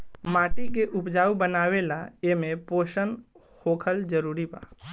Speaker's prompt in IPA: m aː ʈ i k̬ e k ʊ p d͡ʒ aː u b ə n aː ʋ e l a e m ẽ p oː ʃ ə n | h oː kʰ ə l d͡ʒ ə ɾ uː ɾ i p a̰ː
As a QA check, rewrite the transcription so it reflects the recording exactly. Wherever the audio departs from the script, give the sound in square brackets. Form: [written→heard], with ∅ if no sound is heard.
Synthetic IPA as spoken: m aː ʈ i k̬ e [k→ʔ] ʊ p d͡ʒ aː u b ə n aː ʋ e l a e m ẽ p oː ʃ ə n | h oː kʰ ə l d͡ʒ ə ɾ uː ɾ i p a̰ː